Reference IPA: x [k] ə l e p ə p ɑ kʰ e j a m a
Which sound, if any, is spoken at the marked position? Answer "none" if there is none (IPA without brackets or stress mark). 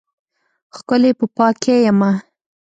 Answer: k